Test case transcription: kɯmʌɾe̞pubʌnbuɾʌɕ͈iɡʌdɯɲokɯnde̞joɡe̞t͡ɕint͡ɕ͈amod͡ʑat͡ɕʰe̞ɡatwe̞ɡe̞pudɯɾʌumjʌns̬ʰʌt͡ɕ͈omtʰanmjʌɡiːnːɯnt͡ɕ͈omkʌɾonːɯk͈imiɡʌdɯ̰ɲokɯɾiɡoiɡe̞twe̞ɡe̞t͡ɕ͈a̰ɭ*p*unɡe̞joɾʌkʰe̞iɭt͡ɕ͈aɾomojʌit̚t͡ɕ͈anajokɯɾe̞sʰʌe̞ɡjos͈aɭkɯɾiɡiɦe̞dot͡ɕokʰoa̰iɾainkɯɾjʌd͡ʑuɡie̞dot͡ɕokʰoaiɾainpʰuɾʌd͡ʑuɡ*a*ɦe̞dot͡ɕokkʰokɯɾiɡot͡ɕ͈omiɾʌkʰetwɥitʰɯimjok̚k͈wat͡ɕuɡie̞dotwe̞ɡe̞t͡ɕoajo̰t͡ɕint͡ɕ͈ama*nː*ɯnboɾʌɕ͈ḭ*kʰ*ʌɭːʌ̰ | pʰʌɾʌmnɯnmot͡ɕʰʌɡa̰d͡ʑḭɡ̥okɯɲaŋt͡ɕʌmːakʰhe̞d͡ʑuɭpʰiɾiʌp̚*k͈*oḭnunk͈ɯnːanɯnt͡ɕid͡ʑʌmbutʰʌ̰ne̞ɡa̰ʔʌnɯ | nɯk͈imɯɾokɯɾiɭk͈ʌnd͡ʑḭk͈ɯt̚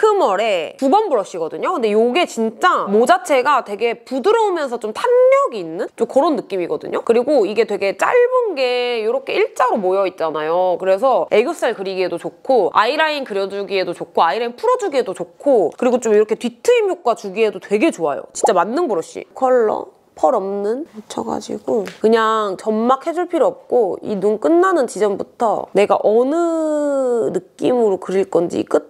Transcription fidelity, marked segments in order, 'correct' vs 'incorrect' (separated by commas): incorrect, incorrect, correct, correct, correct